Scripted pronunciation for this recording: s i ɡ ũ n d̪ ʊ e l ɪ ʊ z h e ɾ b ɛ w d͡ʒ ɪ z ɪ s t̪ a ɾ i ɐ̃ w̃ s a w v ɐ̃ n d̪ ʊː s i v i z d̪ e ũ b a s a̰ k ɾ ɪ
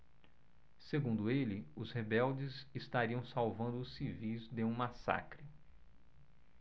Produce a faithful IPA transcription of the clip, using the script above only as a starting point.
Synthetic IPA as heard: s e ɡ ũ n d̪ ʊ e l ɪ ʊ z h e b ɛ w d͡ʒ ɪ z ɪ s t̪ a ɾ i ɐ̃ w̃ s a w v ɐ̃ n d̪ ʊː s i v i z d̪ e ũ m a s a̰ k ɾ ɪ

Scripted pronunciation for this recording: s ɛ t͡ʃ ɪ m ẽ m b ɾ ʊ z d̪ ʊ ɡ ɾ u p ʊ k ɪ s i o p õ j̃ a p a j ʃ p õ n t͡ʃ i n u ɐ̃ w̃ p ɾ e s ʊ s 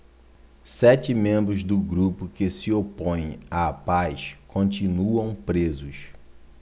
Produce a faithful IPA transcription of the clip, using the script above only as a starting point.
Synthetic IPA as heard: s ɛ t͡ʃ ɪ m ẽ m b ɾ ʊ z d̪ ʊ ɡ ɾ u p ʊ k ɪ s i o p õ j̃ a p a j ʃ k õ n t͡ʃ i n u ɐ̃ w̃ p ɾ e z ʊ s

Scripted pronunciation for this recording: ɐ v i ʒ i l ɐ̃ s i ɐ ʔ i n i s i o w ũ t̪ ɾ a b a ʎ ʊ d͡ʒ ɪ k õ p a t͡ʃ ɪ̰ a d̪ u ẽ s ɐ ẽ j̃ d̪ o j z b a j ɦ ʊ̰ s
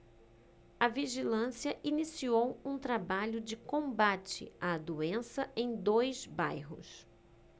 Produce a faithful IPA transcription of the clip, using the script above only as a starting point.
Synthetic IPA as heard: ɐ v i ʒ i l ɐ̃ s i ɐ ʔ i n i s i o w ũ t̪ ɾ a b a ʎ ʊ d͡ʒ ɪ k õ b a t͡ʃ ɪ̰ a d̪ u ẽ s ɐ ẽ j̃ d̪ o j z b a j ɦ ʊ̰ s

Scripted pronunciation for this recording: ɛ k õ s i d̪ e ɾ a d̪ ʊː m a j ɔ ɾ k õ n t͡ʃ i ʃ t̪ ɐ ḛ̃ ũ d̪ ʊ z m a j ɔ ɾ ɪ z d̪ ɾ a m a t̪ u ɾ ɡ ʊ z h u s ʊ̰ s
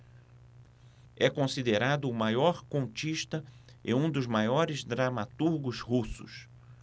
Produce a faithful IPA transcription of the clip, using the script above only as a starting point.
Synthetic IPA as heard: ɛ k õ s i d̪ e ɾ a d̪ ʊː m a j ɔ ɾ k õ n t͡ʃ i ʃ t̪ ɐ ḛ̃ ũ d̪ ʊ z m a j ɔ ɾ ɪ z d̪ ɾ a m a t̪ u ɾ ɡ ʊ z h u s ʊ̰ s

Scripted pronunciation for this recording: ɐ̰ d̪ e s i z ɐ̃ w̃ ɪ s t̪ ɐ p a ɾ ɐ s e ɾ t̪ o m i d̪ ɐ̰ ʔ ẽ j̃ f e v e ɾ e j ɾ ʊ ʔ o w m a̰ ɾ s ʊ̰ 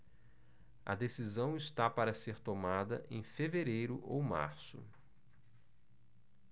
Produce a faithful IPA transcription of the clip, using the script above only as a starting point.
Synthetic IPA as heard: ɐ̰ d̪ e s i z ɐ̃ w̃ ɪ s t̪ a p a ɾ ɐ s e ɾ t̪ o m a d̪ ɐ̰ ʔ ẽ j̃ f e v e ɾ e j ɾ ʊ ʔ o w m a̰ ɾ s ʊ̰

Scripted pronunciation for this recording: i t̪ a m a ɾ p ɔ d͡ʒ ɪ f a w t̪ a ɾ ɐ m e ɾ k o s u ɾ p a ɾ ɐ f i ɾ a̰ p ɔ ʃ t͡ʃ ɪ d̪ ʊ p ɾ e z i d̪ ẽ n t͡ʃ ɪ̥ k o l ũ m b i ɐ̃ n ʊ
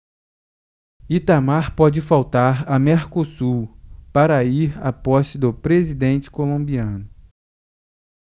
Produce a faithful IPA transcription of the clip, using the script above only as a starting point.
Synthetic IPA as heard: i t̪ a m a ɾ p ɔ d͡ʒ ɪ f a w t̪ a ɾ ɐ m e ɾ k o s u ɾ p a ɾ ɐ i ɾ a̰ p ɔ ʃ t͡ʃ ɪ d̪ ʊ p ɾ e z i d̪ ẽ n t͡ʃ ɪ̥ k o l õ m b i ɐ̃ n ʊ

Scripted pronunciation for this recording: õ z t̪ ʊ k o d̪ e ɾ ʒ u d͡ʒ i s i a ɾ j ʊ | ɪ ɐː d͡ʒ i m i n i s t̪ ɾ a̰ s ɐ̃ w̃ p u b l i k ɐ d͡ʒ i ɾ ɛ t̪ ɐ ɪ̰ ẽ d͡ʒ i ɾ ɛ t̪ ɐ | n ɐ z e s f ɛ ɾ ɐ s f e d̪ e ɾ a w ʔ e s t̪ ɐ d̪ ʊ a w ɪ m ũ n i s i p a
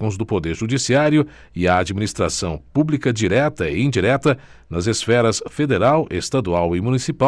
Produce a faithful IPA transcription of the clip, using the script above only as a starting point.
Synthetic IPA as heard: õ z d̪ ʊ p o d̪ e ɾ ʒ u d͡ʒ i s i a ɾ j ʊ | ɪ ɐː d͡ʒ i m i n i s t̪ ɾ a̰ s ɐ̃ w̃ p u b l i k ɐ d͡ʒ i ɾ ɛ t̪ ɐ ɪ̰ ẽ d͡ʒ i ɾ ɛ t̪ ɐ | n ɐ z e s f ɛ ɾ ɐ s f e d̪ e ɾ a w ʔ e s t̪ a d̪ u a w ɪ m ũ n i s i p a

